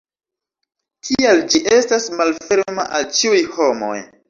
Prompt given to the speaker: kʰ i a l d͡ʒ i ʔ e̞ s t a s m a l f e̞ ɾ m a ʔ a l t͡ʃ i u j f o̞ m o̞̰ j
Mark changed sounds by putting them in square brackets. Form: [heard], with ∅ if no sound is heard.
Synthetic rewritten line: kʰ i a l d͡ʒ i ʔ e̞ s t a s m a l f e̞ ɾ m a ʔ a l t͡ʃ i u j [h] o̞ m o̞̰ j